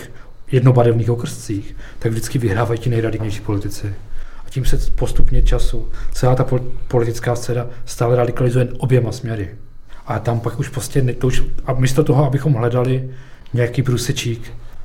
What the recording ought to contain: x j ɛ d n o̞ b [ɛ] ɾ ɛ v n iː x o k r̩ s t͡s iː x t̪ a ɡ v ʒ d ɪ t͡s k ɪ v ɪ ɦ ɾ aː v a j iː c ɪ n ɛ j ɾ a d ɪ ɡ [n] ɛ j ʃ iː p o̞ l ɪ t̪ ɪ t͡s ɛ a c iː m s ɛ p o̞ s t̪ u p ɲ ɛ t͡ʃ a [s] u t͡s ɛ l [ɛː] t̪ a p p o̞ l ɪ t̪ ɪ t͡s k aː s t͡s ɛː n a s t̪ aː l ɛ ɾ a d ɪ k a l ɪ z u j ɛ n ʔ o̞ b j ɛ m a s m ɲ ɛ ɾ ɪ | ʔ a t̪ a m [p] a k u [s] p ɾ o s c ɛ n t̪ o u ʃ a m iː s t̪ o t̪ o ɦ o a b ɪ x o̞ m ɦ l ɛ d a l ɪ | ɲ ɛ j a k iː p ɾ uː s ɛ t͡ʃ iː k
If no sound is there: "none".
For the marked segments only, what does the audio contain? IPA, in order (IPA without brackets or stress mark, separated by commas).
a, ɲ, s, aː, p, ʃ